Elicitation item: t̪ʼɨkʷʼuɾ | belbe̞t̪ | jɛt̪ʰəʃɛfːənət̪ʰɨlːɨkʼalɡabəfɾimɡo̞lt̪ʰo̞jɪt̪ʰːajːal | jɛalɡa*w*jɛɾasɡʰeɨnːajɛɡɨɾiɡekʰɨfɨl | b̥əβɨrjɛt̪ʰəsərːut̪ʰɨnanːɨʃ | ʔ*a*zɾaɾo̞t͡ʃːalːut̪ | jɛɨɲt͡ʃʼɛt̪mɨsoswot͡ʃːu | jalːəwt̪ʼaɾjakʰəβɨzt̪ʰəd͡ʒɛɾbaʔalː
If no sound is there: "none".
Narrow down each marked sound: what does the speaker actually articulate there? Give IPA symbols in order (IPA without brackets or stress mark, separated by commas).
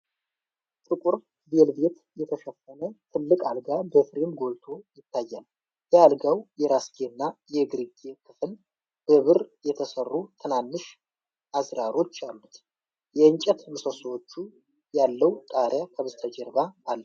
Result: w, a